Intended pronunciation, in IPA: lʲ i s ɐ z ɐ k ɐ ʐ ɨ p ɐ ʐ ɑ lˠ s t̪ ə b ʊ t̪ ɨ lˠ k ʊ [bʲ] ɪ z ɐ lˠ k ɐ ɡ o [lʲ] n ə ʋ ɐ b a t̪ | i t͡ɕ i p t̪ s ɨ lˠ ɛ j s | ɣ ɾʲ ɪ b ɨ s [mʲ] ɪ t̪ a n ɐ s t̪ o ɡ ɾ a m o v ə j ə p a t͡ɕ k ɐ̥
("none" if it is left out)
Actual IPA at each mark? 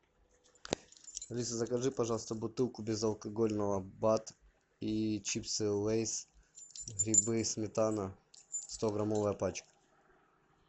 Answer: bʲ, lʲ, mʲ

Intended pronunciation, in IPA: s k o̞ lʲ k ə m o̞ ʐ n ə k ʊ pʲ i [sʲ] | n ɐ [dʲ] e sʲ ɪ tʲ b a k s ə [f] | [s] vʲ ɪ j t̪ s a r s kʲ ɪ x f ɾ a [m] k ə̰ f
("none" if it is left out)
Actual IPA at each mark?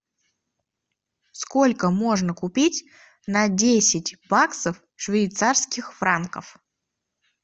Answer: tʲ, dʲ, f, ʂ, n

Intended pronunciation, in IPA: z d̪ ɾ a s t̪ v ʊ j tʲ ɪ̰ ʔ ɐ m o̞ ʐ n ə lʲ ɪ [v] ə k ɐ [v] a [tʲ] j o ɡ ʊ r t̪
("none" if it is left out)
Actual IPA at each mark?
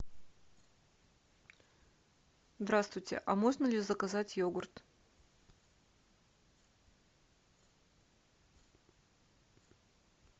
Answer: z, z, tʲ

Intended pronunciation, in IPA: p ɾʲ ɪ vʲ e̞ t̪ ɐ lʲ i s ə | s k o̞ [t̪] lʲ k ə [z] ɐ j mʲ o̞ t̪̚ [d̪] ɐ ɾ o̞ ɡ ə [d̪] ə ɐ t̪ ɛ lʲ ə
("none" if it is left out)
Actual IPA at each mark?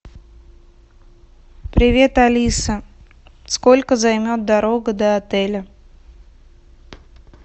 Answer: none, z, d̪, d̪

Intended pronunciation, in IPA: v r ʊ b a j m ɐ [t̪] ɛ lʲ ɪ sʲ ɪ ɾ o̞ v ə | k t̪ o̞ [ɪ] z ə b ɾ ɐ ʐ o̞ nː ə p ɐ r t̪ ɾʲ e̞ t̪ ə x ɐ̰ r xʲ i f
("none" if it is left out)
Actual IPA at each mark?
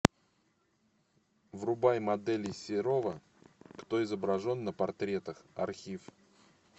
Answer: d̪, ɪ

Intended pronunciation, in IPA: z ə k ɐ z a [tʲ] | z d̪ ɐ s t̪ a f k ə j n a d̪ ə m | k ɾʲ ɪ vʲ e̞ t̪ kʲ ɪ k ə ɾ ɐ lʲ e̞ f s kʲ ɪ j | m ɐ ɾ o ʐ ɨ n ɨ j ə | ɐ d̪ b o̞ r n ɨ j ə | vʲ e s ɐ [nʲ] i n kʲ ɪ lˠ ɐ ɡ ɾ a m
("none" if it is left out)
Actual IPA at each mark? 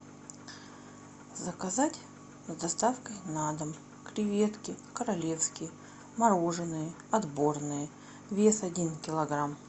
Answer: tʲ, dʲ

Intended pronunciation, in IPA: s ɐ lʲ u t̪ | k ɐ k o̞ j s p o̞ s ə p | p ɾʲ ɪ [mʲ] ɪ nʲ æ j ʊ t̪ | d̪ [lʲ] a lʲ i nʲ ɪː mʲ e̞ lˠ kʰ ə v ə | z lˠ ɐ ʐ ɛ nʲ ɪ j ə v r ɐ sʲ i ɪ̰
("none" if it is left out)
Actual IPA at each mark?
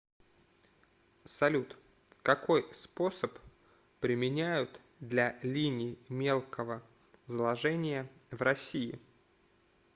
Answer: mʲ, lʲ

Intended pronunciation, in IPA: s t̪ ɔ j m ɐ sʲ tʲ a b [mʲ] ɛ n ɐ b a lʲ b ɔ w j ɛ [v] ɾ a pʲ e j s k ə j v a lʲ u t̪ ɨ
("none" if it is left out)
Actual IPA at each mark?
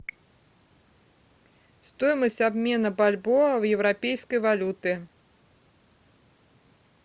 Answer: mʲ, w

